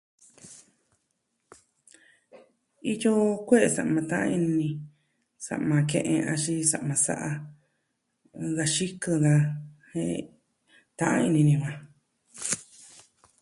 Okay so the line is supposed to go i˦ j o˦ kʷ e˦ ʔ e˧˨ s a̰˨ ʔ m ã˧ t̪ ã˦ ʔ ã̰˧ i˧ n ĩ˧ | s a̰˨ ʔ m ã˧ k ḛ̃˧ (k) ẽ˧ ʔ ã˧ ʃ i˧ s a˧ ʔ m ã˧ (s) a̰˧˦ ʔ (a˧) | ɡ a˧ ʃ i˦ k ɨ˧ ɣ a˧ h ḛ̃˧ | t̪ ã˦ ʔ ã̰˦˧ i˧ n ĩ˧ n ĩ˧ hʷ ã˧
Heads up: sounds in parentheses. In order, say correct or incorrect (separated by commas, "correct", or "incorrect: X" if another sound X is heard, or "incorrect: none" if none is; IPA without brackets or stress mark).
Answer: incorrect: ʔ, correct, correct